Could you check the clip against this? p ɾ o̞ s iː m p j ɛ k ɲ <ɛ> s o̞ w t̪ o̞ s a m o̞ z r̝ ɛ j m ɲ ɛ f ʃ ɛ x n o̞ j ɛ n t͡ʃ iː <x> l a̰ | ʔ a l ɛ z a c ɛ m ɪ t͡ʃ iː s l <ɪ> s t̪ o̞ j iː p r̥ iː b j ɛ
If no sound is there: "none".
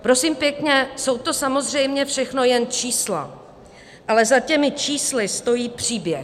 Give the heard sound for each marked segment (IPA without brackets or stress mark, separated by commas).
ɛ, s, ɪ